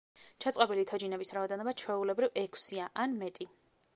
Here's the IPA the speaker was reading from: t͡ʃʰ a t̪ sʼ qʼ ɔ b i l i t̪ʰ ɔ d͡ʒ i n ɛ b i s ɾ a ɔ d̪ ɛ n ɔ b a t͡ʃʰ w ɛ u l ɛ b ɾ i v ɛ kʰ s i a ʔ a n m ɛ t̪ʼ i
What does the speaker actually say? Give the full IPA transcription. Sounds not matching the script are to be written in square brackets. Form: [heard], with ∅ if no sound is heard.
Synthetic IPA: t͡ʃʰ a t̪ sʼ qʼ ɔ b i l i t̪ʰ ɔ d͡ʒ i n ɛ b i s ɾ a ɔ d̪ ɛ n ɔ b a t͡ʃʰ w ɛ u l ɛ b ɾ i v ɛ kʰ s i a ʔ a n m ɛ t̪ʼ i